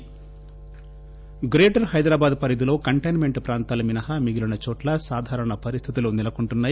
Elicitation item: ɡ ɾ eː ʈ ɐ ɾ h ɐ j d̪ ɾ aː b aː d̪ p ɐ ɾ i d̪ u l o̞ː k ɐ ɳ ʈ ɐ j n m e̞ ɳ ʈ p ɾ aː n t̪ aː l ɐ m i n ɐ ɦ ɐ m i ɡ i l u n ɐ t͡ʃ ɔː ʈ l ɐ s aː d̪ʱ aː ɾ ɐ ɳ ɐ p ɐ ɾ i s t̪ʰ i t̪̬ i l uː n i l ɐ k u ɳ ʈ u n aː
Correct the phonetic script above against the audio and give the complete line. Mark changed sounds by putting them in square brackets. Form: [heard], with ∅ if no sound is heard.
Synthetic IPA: ɡ ɾ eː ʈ ɐ ɾ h ɐ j d̪ ɾ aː b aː d̪ p ɐ ɾ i d̪ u l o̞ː k ɐ ɳ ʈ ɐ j n m e̞ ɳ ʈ p ɾ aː n t̪ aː l ɐ m i n ɐ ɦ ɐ m i ɡ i l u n ɐ t͡ʃ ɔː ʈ l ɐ s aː d̪ʱ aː ɾ ɐ ɳ ɐ p ɐ ɾ i s t̪ʰ i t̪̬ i l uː n i l ɐ k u ɳ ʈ u [nː] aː